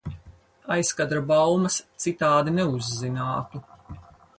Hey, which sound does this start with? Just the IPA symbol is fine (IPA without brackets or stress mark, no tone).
a